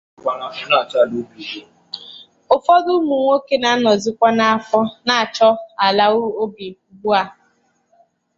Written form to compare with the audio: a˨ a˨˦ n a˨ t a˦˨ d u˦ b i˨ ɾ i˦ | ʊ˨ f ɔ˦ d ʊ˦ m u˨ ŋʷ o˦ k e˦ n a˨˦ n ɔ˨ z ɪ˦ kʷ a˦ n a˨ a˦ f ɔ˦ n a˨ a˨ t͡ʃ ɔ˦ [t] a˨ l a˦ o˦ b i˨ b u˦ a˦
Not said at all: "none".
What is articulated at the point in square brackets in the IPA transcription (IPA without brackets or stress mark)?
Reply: none